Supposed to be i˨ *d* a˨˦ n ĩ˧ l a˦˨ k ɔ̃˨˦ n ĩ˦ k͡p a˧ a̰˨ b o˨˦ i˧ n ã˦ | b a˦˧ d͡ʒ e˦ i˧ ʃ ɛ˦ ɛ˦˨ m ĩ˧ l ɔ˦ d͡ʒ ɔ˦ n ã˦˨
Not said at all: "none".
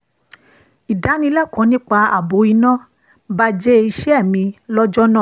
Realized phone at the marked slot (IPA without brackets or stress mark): d